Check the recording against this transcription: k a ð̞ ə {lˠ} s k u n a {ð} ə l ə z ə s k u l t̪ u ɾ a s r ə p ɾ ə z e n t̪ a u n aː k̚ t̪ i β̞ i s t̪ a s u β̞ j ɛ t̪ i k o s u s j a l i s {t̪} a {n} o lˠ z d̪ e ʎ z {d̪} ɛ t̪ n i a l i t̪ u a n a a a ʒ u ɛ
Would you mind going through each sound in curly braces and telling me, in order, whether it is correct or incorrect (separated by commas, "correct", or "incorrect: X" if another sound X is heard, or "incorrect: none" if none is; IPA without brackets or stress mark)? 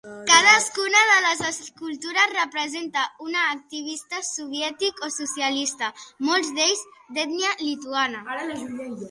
incorrect: none, correct, correct, incorrect: m, correct